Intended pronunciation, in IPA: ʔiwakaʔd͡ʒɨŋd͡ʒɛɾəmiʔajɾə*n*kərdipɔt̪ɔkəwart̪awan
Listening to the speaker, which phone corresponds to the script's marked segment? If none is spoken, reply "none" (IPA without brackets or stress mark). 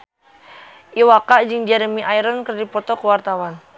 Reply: n